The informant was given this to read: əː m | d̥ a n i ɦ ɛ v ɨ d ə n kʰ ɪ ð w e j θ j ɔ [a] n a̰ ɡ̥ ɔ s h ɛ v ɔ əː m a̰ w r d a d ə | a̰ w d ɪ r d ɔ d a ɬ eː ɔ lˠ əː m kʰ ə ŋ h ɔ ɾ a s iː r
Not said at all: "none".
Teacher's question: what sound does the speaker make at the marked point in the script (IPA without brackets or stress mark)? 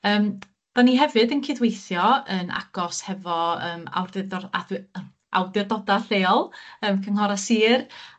ə